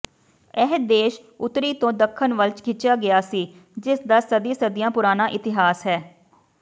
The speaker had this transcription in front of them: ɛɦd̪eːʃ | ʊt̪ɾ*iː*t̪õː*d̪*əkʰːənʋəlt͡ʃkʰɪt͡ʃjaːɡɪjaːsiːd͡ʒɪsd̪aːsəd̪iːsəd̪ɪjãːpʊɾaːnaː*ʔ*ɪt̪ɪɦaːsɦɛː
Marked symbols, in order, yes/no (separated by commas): yes, yes, yes